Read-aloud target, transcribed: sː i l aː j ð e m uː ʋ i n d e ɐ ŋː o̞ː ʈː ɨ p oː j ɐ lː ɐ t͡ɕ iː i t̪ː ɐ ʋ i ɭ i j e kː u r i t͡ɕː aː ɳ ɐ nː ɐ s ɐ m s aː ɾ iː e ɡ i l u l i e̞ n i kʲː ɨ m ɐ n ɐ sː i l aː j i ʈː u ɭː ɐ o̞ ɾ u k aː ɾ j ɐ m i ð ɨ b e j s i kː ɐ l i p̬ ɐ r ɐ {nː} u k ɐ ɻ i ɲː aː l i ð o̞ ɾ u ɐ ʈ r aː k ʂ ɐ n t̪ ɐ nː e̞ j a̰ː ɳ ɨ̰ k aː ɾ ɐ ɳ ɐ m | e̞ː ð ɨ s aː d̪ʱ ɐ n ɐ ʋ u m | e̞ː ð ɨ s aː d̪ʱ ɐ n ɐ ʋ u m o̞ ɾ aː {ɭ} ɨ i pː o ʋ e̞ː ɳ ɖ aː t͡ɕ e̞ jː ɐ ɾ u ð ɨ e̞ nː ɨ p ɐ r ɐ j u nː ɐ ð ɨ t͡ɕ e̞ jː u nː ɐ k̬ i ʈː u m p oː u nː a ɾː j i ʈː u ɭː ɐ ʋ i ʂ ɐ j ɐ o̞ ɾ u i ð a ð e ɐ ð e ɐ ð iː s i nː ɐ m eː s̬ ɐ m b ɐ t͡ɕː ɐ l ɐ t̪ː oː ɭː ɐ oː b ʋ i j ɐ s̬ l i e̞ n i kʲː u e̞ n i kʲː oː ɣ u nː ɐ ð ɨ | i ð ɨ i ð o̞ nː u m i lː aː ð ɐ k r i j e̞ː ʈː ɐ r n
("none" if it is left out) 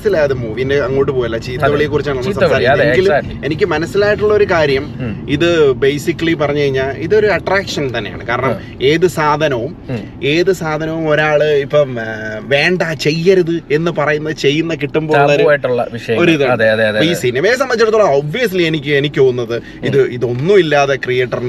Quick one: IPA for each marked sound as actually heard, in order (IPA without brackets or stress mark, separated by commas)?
ɲː, ɭ